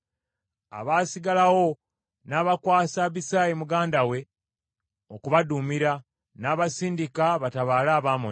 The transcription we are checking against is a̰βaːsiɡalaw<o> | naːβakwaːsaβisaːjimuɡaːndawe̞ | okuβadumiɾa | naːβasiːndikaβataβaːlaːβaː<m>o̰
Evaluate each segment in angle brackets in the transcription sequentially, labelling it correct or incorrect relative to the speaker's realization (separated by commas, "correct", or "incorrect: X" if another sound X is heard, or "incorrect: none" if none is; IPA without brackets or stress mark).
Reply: correct, correct